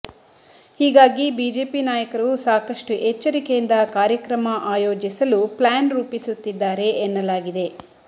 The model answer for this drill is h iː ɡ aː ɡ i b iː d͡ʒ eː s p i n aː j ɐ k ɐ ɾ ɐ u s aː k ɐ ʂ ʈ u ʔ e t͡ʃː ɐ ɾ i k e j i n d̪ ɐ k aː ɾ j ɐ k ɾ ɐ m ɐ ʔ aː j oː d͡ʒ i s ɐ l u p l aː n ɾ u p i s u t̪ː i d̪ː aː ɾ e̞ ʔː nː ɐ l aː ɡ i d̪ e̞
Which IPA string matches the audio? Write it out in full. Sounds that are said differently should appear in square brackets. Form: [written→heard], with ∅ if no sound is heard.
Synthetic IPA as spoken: h iː ɡ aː ɡ i b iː d͡ʒ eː [s→∅] p i n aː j ɐ k ɐ ɾ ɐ u s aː k ɐ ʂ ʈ u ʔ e t͡ʃː ɐ ɾ i k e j i n d̪ ɐ k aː ɾ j ɐ k ɾ ɐ m ɐ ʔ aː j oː d͡ʒ i s ɐ l u p l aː n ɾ [u→uː] p i s u t̪ː i d̪ː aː ɾ e̞ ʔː nː ɐ l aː ɡ i d̪ e̞